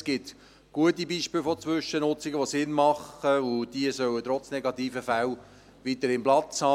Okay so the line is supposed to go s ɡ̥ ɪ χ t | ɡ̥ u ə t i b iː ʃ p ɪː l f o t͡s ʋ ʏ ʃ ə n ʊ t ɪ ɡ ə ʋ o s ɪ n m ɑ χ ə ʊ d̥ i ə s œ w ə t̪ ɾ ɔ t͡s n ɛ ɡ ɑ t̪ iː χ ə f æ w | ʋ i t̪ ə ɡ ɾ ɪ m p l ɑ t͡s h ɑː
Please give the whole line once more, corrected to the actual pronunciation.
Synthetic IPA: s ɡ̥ ɪ t | ɡ̥ u ə t i b iː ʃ p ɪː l f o t͡s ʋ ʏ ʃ ə n ʊ t͡s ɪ ɡ ə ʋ o s ɪ n m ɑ χ ə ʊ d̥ i ə s œ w ə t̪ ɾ ɔ t͡s n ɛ ɡ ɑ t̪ iː f ə f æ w | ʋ i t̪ ə ɾ ɪ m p l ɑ t͡s h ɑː